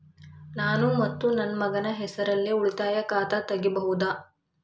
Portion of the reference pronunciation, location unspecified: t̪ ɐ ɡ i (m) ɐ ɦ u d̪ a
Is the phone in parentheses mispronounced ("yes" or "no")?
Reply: yes